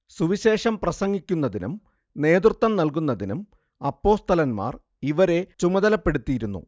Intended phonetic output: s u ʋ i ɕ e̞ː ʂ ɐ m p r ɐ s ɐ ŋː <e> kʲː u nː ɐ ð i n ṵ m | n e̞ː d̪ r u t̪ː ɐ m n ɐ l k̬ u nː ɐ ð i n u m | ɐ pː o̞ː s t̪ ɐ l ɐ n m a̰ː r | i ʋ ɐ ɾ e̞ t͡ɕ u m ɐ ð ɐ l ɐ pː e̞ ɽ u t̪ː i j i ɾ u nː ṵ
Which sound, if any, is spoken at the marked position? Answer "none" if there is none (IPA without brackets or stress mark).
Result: i